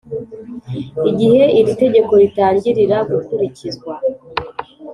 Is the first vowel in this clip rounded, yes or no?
no